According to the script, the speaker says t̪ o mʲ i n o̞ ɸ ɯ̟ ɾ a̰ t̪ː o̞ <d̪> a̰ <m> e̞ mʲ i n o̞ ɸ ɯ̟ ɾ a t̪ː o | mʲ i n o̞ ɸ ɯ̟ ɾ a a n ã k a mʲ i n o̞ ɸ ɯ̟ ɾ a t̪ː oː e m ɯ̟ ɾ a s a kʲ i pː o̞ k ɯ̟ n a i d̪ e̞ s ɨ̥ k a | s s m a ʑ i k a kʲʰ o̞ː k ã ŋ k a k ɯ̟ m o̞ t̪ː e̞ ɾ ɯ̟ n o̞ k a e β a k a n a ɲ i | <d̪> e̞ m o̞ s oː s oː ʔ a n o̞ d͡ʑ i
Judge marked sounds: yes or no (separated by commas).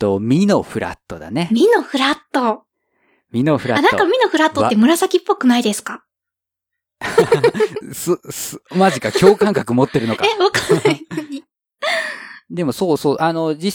yes, no, yes